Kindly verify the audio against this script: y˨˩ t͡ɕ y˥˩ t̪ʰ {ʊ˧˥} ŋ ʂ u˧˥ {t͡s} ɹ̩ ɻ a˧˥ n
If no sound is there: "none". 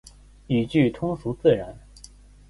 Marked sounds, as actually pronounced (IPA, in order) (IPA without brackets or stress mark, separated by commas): ʊ˥, t͡s